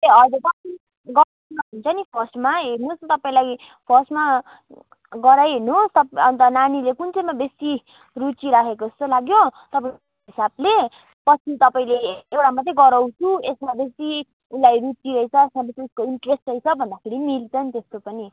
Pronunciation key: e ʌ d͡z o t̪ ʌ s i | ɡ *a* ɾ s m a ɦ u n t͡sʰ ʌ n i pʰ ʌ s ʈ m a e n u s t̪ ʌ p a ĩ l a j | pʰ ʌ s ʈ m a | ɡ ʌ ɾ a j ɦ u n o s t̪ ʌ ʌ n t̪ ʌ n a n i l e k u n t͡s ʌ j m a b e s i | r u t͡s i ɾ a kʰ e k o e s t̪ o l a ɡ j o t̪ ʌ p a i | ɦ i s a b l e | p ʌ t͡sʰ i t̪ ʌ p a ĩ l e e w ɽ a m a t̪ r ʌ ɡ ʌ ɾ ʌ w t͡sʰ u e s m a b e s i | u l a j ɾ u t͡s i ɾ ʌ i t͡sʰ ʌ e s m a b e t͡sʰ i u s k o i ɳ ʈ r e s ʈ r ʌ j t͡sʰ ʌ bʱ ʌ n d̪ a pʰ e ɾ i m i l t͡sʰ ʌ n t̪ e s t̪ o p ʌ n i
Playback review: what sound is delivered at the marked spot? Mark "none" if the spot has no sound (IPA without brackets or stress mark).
ʌ